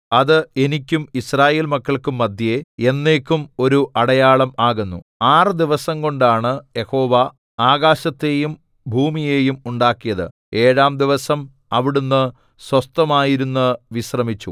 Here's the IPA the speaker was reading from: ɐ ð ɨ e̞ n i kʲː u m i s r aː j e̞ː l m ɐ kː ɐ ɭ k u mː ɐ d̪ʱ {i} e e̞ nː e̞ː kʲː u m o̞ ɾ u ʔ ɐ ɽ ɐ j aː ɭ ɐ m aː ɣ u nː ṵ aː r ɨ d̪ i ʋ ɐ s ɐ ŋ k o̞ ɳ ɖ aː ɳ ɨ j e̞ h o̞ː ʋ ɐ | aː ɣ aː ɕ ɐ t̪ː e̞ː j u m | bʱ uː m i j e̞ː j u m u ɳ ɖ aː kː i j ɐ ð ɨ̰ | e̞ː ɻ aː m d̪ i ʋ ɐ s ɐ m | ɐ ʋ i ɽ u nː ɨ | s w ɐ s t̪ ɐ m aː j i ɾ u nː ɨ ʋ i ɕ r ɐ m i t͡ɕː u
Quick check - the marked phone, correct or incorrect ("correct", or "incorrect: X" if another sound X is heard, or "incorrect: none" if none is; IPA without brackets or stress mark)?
incorrect: j